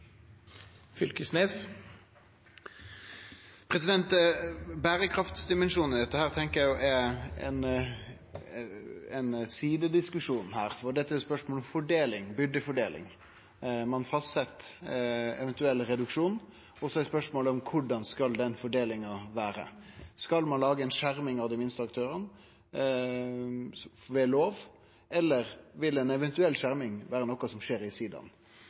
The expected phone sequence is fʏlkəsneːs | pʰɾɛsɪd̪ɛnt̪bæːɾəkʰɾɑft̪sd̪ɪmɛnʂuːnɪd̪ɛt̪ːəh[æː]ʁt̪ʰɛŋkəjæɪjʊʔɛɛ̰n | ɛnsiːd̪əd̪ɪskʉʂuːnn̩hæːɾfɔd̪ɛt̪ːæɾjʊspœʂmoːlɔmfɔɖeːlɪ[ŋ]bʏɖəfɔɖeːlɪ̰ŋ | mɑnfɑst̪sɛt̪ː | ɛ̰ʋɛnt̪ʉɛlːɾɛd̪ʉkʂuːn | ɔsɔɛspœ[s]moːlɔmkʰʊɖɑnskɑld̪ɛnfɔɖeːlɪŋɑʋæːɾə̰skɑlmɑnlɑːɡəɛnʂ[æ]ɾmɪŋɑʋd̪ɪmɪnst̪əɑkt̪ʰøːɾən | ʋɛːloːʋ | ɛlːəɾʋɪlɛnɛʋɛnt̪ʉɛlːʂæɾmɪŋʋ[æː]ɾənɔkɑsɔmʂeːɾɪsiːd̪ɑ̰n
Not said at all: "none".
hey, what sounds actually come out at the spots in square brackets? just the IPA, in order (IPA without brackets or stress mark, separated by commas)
æː, ŋ, ʂ, æ, æː